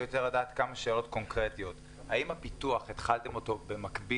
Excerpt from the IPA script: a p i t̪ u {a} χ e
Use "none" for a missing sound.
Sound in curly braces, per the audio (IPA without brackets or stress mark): a